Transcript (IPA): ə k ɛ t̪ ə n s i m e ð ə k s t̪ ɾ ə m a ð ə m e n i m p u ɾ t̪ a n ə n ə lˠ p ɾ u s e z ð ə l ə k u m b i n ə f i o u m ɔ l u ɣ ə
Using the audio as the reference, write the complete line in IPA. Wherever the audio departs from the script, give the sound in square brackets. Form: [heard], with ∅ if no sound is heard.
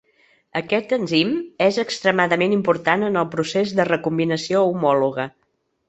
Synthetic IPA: ə k ɛ t̪ ə n [z] i m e [z] ə k s t̪ ɾ ə m a ð ə m e n i m p u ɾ t̪ a n ə n ə lˠ p ɾ u s e z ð ə [r] ə k u m b i n ə [s] i o u m ɔ l u ɣ ə